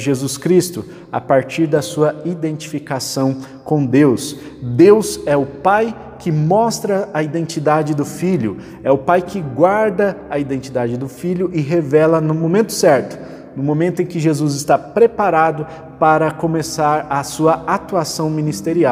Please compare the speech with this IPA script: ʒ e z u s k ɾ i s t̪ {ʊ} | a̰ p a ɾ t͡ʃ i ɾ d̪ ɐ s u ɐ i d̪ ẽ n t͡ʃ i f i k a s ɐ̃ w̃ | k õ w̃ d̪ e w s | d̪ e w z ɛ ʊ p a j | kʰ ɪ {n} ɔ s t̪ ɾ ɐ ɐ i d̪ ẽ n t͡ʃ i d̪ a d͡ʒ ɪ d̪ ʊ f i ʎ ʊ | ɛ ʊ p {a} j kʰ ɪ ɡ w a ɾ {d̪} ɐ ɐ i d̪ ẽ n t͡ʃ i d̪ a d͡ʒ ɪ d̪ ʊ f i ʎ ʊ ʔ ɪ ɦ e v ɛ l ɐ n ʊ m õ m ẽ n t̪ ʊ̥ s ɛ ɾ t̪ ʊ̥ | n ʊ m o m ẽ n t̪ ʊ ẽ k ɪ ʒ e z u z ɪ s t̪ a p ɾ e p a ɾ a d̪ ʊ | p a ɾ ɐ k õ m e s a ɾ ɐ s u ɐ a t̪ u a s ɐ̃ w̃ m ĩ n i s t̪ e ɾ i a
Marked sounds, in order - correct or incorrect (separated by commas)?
correct, incorrect, correct, correct